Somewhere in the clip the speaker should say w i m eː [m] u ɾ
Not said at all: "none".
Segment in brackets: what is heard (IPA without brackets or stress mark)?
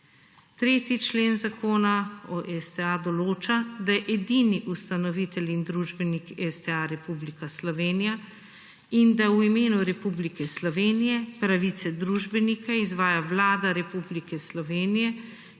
n